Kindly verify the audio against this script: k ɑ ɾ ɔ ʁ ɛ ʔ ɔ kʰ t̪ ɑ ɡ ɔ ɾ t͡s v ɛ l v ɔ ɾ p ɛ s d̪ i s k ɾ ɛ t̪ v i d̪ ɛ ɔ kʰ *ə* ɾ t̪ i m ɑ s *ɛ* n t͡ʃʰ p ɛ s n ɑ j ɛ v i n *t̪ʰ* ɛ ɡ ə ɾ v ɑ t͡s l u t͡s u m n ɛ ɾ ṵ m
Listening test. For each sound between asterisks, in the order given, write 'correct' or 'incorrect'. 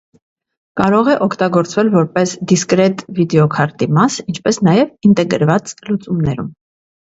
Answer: incorrect, incorrect, incorrect

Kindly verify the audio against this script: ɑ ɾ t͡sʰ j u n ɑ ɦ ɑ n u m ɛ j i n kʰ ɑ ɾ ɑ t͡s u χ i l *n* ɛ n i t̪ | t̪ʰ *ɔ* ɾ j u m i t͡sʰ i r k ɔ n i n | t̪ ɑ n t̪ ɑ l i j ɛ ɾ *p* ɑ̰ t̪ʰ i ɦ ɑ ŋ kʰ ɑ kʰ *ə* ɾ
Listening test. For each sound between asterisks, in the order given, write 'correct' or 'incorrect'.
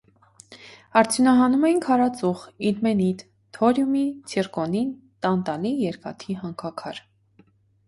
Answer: incorrect, correct, incorrect, incorrect

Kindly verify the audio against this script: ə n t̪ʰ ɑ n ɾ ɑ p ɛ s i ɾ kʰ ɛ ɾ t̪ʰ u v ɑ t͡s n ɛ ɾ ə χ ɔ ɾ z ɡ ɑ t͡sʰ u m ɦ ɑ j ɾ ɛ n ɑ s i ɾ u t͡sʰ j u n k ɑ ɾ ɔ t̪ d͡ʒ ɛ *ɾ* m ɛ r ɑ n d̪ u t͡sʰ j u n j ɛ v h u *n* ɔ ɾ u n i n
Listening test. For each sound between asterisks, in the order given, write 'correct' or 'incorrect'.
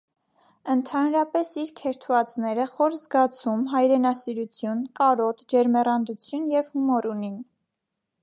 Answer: correct, incorrect

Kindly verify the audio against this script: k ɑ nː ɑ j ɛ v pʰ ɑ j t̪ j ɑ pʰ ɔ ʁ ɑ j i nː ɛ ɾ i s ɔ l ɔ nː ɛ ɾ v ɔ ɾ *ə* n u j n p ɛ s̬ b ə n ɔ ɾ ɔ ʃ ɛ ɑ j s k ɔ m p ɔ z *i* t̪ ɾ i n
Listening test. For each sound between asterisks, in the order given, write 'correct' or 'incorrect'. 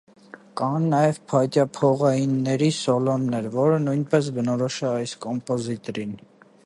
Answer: correct, correct

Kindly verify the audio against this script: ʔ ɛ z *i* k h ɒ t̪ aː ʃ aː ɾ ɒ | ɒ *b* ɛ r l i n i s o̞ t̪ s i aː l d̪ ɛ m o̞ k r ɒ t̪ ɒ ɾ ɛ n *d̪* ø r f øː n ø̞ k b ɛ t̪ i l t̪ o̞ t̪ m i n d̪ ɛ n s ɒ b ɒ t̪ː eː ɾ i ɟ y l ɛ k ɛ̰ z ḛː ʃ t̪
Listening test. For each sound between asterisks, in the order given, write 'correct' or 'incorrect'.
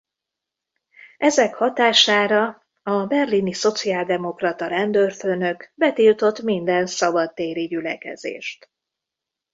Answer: incorrect, correct, correct

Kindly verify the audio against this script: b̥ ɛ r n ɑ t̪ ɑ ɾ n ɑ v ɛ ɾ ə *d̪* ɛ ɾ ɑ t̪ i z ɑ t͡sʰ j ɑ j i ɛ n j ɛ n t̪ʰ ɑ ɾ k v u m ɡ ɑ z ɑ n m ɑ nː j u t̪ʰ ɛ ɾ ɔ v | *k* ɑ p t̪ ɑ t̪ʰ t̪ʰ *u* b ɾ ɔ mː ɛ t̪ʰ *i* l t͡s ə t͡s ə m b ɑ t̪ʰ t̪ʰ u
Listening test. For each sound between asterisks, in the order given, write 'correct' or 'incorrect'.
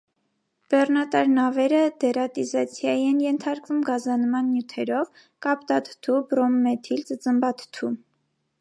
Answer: correct, correct, correct, correct

